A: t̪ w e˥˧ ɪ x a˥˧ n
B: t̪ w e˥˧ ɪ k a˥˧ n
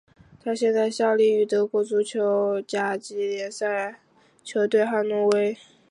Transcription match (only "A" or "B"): A